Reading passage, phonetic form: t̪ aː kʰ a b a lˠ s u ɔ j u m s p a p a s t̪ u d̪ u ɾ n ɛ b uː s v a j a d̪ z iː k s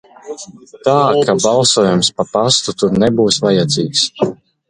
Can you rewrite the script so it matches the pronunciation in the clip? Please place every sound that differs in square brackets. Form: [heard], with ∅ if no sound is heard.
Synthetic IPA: t̪ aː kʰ a b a lˠ s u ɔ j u m s p a p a s t̪ u [t̪] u ɾ n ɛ b uː s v a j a d̪ z iː k s